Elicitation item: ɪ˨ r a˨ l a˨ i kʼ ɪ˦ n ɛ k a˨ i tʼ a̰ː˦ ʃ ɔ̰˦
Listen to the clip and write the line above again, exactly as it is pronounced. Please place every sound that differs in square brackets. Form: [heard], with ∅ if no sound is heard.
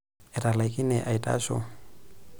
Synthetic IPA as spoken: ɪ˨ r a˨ l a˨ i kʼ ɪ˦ n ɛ [ʔ] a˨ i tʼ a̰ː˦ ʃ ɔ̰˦

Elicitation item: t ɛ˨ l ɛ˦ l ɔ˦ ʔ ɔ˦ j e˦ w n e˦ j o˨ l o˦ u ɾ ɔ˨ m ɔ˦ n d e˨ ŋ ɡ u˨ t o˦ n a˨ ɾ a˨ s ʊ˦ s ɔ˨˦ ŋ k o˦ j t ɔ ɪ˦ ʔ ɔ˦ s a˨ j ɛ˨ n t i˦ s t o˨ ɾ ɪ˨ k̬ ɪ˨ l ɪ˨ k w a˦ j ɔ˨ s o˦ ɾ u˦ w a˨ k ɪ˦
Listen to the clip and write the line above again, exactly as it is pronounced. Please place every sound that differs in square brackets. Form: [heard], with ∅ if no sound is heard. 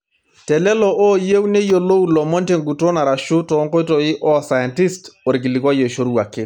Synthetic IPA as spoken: t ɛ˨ l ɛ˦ l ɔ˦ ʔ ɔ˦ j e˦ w n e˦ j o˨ l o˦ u [l] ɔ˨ m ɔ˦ n [t] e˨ ŋ ɡ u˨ t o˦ n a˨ ɾ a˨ [ʃ] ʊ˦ [t] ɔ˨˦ ŋ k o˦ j t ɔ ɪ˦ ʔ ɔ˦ s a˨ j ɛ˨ n t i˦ s t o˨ ɾ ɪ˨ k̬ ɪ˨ l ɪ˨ k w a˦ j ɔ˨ [ʃ] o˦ ɾ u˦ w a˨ k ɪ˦

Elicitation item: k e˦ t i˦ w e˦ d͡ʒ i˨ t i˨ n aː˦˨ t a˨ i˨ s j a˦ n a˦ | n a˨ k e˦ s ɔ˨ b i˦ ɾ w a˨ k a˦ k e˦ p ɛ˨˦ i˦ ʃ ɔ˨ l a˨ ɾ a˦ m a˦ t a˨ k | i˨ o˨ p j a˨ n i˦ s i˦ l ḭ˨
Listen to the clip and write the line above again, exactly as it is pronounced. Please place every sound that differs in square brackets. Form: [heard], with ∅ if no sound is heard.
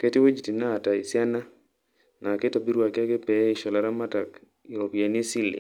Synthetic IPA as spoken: k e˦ t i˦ w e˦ d͡ʒ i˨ t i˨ n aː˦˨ t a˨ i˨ s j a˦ n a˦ | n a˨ k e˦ [t] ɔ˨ b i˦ ɾ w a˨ k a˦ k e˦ p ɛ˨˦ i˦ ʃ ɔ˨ l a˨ ɾ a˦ m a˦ t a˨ k | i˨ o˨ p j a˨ n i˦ s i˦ l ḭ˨

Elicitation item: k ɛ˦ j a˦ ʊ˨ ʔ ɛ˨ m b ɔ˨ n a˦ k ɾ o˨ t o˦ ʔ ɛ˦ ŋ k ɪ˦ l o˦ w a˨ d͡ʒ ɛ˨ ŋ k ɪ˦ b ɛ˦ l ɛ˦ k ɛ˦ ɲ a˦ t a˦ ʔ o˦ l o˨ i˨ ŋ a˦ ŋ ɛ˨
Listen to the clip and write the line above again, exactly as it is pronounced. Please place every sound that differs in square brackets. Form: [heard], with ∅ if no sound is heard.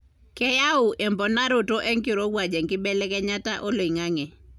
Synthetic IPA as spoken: k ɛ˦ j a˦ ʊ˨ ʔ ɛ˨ m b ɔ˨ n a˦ [∅] ɾ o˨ t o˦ ʔ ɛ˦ ŋ k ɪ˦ [ɾ] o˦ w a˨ d͡ʒ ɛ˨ ŋ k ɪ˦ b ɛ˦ l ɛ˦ k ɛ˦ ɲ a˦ t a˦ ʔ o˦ l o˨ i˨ ŋ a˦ ŋ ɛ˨

